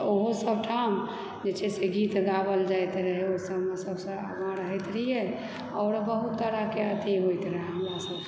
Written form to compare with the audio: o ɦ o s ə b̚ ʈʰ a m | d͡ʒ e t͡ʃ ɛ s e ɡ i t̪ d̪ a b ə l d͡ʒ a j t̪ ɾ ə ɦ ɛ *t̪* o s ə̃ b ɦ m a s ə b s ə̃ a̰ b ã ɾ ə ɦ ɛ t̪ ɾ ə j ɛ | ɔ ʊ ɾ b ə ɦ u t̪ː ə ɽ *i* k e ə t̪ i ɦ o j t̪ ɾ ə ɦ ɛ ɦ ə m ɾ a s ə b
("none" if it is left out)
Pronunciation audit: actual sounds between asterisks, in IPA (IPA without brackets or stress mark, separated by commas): none, a